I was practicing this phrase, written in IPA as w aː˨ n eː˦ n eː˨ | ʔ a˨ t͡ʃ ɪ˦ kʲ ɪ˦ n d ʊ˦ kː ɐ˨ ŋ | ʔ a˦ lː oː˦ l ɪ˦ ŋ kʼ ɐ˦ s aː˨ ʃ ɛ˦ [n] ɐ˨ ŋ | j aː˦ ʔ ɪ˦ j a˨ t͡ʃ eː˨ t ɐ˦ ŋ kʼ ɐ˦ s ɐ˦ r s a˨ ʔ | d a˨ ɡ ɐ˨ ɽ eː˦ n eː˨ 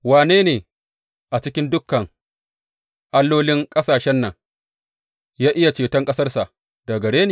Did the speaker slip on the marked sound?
yes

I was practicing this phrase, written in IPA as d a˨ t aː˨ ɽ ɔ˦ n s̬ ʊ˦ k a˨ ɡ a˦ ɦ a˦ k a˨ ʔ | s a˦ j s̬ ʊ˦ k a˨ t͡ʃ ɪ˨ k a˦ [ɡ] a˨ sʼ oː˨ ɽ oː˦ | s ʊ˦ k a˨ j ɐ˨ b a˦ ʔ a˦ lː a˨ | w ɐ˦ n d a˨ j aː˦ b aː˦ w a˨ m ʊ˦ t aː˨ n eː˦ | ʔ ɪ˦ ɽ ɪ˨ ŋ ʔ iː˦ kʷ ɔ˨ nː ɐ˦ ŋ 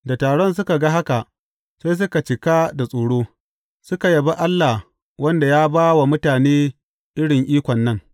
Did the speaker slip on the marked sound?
yes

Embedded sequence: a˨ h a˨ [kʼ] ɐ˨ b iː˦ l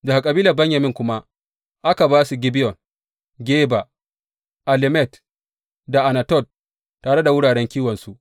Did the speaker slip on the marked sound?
no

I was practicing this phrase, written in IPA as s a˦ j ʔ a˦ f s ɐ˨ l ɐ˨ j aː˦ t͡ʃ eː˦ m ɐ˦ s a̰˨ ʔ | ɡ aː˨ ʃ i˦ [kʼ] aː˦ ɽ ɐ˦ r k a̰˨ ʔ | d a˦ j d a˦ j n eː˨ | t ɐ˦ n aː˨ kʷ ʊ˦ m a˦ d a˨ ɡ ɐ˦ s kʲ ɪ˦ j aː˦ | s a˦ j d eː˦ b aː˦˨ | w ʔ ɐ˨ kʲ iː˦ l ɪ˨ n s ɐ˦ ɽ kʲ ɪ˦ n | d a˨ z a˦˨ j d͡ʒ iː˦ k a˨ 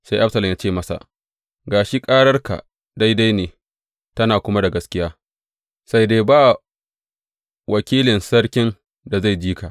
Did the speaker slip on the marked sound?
no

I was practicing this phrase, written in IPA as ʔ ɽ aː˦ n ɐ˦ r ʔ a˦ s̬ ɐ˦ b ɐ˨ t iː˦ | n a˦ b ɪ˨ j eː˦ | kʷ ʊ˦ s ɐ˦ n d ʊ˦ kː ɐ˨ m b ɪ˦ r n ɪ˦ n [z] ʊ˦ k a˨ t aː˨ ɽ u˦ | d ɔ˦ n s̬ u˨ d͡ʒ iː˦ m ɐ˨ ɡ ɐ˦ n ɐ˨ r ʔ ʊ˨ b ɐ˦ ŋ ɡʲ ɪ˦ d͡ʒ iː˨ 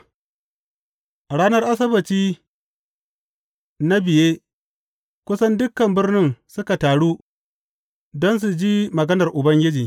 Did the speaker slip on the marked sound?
yes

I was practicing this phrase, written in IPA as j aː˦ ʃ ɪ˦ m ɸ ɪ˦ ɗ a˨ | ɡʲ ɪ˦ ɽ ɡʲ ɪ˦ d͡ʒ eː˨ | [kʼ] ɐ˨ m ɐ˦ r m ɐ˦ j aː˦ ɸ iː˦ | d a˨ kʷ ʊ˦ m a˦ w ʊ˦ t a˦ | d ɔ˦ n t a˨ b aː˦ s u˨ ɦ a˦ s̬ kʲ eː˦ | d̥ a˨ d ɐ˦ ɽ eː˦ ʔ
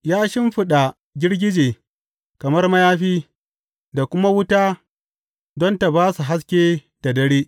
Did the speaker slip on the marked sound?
yes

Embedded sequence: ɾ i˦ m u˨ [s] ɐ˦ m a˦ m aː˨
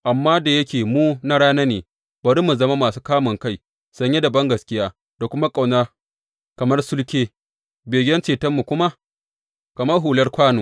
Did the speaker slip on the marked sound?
yes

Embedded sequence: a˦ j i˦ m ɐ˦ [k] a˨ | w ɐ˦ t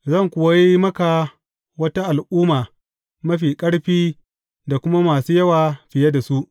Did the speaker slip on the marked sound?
no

